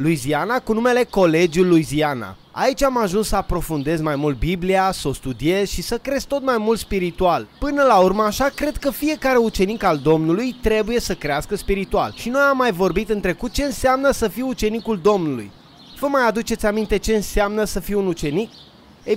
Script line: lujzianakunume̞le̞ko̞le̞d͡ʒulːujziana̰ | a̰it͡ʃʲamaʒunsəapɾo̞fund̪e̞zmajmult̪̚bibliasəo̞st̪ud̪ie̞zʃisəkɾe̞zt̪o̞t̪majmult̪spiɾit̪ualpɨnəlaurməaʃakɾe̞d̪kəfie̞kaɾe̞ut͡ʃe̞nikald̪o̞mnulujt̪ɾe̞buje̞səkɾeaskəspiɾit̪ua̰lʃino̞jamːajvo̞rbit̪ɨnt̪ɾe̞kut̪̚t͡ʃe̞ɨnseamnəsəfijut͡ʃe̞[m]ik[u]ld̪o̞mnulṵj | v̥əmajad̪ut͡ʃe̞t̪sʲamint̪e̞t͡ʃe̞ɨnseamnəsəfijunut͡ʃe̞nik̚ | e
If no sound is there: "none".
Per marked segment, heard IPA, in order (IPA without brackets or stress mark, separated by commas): n, u